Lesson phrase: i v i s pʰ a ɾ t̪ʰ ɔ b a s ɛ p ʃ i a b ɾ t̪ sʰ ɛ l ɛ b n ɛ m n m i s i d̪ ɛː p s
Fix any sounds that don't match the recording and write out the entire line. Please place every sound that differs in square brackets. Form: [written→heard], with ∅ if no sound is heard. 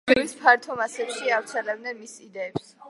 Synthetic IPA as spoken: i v i s pʰ a ɾ t̪ʰ ɔ [b→m] a s ɛ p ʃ i a [b→v] ɾ t̪ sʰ ɛ l ɛ b n ɛ [m→∅] n m i s i d̪ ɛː p s